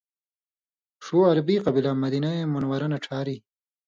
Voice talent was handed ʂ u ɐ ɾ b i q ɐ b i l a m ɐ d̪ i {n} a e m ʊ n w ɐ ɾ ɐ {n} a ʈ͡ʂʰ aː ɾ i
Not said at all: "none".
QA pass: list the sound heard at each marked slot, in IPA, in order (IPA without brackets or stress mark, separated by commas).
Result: n, n